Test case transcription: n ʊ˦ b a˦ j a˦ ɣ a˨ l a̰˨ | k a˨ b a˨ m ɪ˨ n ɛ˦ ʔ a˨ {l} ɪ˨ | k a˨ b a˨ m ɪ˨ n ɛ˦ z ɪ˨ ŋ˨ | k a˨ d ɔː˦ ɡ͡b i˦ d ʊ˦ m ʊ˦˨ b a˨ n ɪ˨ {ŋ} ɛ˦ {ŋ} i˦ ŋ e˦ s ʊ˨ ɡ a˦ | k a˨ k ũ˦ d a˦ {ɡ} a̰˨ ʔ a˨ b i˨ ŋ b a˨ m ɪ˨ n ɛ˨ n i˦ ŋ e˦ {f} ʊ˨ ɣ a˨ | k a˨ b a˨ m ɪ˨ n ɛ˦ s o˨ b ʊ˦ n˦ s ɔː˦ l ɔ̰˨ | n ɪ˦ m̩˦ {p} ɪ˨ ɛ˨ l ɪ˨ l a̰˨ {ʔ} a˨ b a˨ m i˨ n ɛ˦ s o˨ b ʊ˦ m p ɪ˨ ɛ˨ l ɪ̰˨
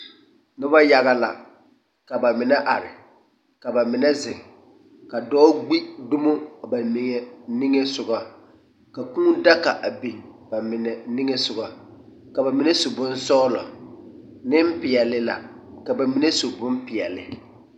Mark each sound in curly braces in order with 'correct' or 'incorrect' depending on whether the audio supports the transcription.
incorrect, correct, incorrect, incorrect, incorrect, correct, incorrect

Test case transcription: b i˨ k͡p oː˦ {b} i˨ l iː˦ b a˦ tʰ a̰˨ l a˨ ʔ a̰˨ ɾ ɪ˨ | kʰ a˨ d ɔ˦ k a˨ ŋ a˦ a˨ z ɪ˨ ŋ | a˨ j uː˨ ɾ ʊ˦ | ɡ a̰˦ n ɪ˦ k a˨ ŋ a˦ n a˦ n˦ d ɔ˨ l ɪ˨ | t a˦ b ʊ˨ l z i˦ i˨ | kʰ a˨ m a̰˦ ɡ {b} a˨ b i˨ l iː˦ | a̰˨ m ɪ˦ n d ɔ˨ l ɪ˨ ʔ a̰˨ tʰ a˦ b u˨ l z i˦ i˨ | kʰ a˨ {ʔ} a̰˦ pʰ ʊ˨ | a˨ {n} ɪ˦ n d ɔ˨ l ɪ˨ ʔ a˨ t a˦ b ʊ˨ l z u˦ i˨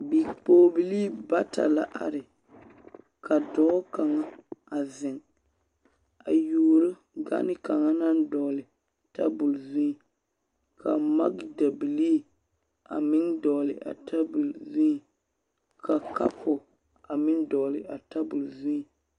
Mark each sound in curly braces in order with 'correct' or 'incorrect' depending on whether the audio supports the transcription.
correct, incorrect, incorrect, incorrect

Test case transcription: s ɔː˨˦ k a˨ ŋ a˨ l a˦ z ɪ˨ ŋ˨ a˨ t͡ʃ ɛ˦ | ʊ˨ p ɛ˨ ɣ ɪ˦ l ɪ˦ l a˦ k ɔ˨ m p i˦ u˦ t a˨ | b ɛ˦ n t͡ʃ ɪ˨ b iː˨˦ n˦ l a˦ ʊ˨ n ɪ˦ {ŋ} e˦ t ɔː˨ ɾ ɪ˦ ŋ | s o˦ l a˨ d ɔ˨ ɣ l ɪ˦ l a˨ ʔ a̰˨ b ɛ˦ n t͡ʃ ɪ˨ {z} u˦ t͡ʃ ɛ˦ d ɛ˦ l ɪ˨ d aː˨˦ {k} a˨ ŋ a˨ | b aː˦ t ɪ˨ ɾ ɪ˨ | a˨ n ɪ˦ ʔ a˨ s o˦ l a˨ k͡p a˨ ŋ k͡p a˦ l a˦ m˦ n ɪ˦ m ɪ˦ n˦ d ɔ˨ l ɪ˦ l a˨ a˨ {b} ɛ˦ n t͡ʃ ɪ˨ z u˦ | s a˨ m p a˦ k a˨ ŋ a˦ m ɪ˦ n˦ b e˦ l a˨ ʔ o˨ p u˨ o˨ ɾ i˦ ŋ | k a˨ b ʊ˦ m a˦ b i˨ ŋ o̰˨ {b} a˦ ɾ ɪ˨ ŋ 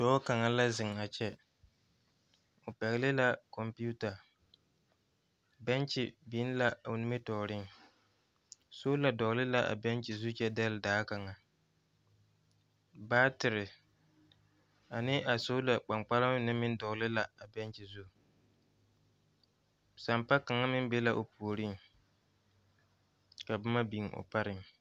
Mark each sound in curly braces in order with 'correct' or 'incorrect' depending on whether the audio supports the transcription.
incorrect, correct, correct, correct, incorrect

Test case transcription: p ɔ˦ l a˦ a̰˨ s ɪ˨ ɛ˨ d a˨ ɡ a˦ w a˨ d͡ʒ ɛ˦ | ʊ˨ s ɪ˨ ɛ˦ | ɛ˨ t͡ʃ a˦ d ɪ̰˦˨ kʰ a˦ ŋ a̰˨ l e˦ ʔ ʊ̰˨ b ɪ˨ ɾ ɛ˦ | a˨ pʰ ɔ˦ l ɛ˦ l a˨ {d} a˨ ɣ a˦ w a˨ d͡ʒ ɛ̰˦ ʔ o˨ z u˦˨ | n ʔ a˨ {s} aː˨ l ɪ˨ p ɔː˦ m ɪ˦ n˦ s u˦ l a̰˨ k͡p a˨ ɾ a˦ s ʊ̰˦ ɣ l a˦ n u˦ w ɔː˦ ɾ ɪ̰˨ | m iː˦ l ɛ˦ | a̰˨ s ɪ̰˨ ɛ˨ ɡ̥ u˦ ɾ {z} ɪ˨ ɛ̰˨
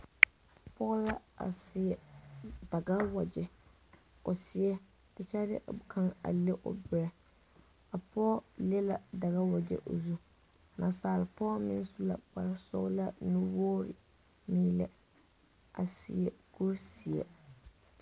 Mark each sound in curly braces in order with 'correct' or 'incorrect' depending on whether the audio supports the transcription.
correct, correct, incorrect

